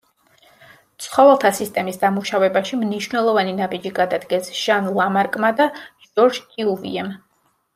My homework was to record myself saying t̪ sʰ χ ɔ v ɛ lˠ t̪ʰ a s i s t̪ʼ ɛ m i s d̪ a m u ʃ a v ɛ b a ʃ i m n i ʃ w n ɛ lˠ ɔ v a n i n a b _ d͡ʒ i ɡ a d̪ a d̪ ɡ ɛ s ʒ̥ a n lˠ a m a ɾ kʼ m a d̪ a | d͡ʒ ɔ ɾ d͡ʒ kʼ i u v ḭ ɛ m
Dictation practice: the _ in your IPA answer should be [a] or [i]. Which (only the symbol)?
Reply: i